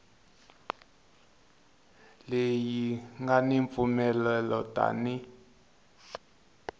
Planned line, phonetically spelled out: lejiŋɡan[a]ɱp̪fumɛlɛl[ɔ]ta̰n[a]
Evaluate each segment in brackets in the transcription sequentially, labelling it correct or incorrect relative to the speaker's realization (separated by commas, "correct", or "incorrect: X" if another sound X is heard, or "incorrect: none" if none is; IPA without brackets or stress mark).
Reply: incorrect: i, correct, incorrect: i